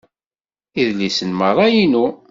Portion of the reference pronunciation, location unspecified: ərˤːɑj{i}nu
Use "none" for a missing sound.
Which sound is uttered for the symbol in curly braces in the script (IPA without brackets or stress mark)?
i